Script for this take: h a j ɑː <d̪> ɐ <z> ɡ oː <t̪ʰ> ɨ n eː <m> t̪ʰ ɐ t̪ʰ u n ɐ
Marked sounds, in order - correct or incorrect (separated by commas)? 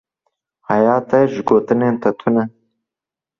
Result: incorrect, incorrect, incorrect, incorrect